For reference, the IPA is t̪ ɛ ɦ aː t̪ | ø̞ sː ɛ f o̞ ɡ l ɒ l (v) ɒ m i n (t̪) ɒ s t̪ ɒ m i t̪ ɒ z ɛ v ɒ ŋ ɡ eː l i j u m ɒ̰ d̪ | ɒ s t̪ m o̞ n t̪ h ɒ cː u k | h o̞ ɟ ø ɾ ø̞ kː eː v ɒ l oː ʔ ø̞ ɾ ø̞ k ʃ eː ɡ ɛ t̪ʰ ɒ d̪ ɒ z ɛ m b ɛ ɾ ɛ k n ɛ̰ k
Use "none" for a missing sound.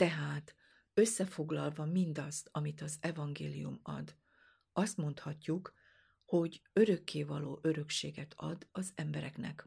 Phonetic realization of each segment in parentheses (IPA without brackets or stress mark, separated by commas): v, d̪